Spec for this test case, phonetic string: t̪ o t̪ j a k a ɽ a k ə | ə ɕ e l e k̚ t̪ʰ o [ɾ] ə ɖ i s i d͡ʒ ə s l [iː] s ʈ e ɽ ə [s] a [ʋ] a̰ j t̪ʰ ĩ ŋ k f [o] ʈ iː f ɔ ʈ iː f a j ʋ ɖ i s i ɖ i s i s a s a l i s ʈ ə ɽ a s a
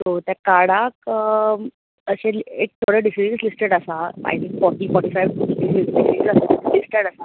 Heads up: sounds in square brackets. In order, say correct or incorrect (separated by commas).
incorrect, incorrect, correct, incorrect, incorrect